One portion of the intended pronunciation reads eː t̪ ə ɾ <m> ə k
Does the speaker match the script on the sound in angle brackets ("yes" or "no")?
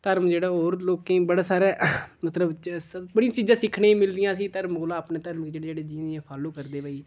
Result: yes